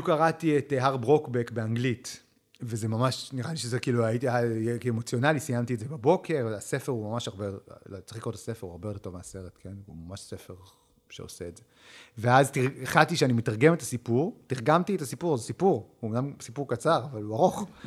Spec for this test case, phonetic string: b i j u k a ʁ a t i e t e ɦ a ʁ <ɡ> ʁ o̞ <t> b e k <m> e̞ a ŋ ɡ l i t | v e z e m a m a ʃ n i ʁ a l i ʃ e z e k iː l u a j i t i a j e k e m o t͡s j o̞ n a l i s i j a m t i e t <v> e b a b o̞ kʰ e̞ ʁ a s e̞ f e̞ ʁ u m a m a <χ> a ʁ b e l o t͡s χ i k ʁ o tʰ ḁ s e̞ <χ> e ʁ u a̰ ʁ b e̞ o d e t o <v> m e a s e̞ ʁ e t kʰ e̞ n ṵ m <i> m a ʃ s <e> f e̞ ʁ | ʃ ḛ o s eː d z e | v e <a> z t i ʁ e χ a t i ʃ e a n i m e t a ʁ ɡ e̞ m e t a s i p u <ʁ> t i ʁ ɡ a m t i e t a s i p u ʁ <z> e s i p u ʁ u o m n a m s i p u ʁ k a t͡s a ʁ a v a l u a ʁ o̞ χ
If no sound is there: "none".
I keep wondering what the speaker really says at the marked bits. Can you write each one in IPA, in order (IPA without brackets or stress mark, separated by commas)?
b, k, b, z, ʃ, f, v, a, e, a, ʁ, z